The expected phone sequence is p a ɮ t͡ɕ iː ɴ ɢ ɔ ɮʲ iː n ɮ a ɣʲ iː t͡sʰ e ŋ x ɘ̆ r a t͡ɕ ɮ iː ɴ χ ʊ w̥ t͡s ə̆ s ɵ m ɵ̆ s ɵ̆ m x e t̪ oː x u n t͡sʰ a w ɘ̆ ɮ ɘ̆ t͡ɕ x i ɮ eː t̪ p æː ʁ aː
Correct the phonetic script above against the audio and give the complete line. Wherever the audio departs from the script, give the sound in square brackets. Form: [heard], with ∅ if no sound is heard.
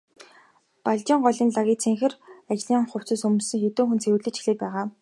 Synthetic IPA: p a ɮ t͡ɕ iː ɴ ɢ ɔ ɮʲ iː n ɮ a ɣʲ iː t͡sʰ e ŋ x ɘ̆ r a t͡ɕ ɮ iː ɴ χ ʊ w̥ t͡s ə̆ s ɵ m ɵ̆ s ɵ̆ [ŋ] x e t̪ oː x u n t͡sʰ [e] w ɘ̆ ɮ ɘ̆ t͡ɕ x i ɮ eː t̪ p æː ʁ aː